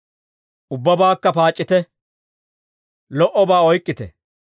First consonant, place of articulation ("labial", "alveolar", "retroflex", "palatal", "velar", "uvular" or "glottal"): labial